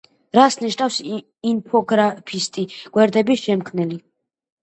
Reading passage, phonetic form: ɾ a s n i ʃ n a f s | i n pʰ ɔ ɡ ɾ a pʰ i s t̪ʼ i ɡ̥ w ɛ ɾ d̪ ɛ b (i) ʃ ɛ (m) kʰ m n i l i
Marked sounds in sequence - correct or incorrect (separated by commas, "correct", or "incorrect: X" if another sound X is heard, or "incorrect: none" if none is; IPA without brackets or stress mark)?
correct, correct